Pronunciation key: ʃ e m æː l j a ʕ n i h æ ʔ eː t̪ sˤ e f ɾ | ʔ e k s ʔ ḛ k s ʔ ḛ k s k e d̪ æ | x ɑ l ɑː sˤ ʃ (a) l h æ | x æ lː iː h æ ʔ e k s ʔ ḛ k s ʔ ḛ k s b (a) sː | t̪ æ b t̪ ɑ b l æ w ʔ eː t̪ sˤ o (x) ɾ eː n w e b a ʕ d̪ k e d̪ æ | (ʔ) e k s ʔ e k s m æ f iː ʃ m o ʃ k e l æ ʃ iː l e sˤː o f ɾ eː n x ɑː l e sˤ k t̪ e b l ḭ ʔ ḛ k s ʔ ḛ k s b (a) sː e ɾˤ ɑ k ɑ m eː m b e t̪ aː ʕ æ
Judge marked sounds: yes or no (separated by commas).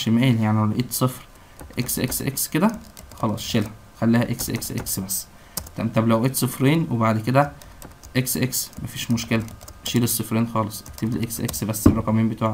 no, no, no, yes, no